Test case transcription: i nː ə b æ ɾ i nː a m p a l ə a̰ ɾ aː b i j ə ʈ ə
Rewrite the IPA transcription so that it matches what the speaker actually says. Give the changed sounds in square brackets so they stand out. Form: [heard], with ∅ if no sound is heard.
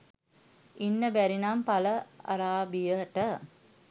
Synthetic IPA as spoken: i nː ə b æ ɾ i [n] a m p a l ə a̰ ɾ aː b i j ə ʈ ə